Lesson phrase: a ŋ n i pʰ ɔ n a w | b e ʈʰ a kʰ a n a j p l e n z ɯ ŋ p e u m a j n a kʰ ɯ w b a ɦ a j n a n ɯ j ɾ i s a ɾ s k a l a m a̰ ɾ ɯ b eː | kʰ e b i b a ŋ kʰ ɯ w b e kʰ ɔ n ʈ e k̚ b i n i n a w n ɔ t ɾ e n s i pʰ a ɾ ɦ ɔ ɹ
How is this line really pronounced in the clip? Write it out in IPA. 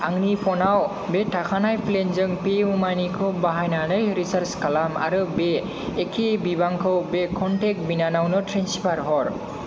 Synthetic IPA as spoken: a ŋ n i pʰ ɔ n a w | b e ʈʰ a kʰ a n a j p l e n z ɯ ŋ p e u m a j n i kʰ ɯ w b a ɦ a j n a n ɯ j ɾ i s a ɾ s k a l a m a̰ ɾ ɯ b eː | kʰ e b i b a ŋ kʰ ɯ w b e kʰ ɔ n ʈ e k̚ b i n a n a w n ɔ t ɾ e n s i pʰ a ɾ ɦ ɔ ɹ